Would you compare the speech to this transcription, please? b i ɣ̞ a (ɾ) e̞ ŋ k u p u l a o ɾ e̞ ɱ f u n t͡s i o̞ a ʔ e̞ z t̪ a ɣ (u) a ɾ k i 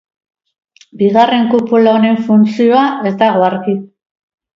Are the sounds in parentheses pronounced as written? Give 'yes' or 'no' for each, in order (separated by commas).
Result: no, no